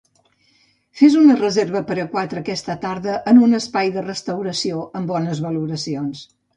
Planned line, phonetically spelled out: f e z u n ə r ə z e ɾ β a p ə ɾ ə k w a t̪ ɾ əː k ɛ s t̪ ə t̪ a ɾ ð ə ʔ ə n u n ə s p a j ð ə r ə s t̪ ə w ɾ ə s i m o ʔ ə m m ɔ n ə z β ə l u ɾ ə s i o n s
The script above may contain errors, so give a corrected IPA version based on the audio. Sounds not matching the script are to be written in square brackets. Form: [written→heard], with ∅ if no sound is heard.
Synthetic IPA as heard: f e z u n ə r ə z e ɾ β [a→ə] p ə ɾ ə k w a t̪ ɾ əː k ɛ s t̪ ə t̪ a ɾ ð ə ʔ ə n u n ə s p a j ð ə r ə s t̪ ə w ɾ ə s i [m→∅] o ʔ ə m [m→b] ɔ n ə z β ə l u ɾ ə s i o n s

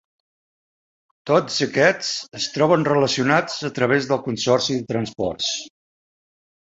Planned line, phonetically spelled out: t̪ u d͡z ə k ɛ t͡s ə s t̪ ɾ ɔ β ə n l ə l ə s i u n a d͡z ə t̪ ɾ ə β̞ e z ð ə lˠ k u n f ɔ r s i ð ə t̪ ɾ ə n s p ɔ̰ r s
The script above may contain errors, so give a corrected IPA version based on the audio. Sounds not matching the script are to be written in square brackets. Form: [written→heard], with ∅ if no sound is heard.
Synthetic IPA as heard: t̪ [u→o] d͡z ə k ɛ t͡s ə s t̪ ɾ ɔ β ə n [l→r] ə l ə s i u n a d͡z ə t̪ ɾ ə β̞ e z ð ə lˠ k u n [f→s] ɔ r s i ð ə t̪ ɾ ə n s p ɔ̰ r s

